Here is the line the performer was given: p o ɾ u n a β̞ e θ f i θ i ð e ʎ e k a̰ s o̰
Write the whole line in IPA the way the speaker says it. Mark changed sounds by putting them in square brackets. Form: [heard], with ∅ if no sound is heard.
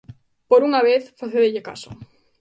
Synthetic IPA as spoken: p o ɾ u [ŋ] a β̞ e θ f [a] θ [e] ð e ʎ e k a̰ s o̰